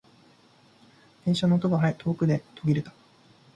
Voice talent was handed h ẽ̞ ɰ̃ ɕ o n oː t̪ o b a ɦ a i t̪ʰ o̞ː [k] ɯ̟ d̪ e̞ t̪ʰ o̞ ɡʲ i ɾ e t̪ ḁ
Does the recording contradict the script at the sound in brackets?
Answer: no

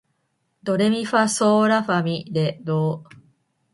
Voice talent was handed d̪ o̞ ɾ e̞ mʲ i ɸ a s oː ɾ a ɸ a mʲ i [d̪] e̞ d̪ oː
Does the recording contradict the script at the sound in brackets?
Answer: no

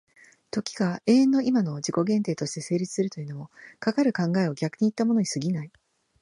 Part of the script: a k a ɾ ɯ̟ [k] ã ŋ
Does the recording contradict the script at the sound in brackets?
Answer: no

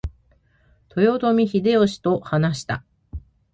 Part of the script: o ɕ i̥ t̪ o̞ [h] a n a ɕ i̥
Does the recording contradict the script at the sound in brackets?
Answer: no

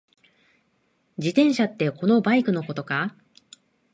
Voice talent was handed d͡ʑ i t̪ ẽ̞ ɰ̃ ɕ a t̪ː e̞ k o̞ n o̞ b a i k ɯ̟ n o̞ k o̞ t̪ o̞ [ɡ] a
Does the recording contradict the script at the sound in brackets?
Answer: yes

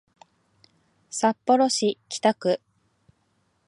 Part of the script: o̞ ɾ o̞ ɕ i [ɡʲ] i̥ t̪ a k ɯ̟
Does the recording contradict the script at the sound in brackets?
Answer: yes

